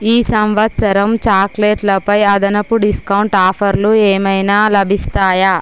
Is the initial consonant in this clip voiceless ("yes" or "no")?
yes